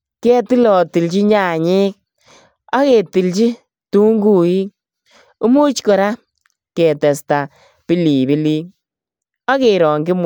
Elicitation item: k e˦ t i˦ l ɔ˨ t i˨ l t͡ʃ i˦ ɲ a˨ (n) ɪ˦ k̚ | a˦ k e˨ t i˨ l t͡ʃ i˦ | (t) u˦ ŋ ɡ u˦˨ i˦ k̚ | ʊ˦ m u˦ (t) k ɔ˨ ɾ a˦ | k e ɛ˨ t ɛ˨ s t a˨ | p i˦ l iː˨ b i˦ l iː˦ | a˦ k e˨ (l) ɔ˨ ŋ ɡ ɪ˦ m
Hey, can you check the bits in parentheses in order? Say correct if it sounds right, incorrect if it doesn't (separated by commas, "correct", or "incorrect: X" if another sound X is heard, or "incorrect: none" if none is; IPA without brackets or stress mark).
incorrect: ɲ, correct, incorrect: t͡ʃ, incorrect: ɾ